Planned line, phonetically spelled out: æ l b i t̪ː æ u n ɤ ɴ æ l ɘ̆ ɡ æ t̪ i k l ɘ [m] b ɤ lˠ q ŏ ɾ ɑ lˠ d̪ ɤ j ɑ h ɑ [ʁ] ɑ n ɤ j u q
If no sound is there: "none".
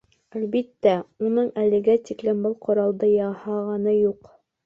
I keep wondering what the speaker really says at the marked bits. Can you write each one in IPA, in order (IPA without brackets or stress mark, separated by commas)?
m, ʁ